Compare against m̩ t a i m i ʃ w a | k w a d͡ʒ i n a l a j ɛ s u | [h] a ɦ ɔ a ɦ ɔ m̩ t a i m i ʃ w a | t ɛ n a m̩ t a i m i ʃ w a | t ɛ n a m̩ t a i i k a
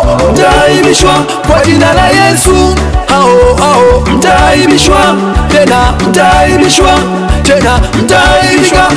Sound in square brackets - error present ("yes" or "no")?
no